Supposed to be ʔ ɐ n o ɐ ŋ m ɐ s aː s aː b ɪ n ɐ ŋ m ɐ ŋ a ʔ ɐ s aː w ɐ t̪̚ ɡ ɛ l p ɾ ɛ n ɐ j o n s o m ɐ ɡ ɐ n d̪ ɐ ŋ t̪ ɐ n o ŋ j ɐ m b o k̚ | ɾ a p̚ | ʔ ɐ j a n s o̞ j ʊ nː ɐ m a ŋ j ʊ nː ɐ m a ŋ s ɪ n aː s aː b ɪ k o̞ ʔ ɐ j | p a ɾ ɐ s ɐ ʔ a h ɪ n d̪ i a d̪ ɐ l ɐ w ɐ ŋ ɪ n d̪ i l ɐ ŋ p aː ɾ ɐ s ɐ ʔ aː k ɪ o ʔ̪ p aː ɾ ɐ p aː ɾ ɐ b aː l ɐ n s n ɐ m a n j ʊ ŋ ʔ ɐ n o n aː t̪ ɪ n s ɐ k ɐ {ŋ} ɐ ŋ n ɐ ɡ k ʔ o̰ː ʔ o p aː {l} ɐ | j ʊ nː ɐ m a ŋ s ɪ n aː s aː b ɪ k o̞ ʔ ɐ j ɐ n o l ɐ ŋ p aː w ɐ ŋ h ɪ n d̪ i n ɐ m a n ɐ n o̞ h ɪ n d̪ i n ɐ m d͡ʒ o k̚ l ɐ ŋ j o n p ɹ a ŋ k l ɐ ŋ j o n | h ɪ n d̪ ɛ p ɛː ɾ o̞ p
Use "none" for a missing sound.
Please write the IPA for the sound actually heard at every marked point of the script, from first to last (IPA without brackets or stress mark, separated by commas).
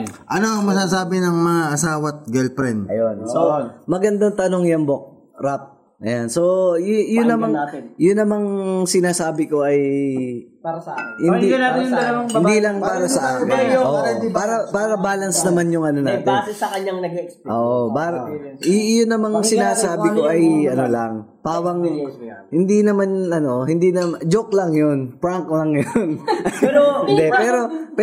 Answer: ɲ, ɾ